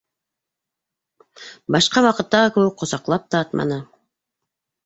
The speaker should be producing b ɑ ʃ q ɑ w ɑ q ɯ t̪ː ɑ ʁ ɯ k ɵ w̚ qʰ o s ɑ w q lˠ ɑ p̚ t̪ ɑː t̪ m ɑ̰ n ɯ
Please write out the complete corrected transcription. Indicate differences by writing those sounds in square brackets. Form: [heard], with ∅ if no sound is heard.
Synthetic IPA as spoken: b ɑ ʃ q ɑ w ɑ q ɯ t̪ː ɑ ʁ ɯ k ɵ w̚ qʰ o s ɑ [∅] q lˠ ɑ p̚ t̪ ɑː t̪ m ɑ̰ n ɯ